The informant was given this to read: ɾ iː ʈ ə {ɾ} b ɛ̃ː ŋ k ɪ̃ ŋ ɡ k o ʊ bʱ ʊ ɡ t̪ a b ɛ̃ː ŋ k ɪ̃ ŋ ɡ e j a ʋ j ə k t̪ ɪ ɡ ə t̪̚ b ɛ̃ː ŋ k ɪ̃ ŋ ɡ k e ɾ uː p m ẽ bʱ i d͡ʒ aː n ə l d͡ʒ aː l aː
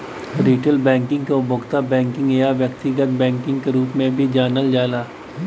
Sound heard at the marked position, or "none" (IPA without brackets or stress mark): l